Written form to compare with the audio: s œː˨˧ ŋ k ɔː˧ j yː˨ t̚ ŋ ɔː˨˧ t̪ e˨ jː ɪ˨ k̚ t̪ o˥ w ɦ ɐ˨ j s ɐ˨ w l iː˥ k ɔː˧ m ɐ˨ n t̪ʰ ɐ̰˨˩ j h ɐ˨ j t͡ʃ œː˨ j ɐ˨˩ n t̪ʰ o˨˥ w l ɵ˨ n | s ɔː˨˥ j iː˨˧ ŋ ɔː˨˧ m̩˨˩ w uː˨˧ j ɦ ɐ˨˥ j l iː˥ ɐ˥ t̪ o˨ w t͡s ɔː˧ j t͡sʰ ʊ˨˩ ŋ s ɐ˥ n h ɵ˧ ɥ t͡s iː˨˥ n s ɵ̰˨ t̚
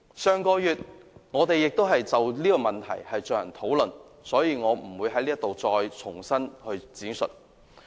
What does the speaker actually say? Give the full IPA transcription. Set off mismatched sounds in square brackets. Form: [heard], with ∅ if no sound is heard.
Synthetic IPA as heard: s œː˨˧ ŋ k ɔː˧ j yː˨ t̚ ŋ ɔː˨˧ t̪ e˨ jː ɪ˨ k̚ t̪ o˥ w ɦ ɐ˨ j [t͡s] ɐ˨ w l iː˥ k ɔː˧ m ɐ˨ n t̪ʰ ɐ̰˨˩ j h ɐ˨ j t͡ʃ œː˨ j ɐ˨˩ n t̪ʰ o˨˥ w l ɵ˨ n | s ɔː˨˥ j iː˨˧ ŋ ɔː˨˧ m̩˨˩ w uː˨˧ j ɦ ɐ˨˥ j l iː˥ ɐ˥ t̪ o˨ w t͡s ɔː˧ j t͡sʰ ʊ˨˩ ŋ s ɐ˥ n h ɵ˧ ɥ t͡s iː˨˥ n s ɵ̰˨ t̚